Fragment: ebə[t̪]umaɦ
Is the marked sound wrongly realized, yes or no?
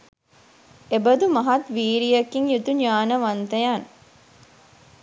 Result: yes